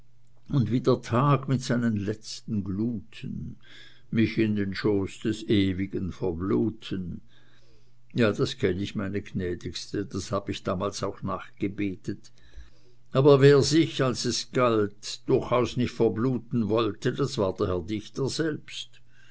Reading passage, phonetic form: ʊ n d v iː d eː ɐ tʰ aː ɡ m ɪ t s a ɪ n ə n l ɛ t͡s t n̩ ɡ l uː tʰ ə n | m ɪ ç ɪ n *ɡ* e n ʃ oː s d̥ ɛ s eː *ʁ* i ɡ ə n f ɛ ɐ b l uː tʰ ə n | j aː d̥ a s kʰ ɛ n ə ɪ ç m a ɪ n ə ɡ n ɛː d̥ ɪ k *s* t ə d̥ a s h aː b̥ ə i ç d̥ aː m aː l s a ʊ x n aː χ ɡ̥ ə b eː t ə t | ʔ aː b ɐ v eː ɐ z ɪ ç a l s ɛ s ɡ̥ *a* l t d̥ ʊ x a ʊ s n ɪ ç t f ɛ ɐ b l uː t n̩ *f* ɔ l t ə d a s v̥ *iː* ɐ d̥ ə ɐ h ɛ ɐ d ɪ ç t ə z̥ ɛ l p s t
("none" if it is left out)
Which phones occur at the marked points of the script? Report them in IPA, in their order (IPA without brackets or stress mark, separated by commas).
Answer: d, v, s, a, v, aː